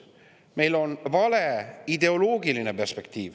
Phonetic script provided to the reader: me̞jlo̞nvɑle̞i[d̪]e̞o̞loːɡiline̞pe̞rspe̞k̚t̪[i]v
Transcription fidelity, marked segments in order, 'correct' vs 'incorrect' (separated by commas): correct, incorrect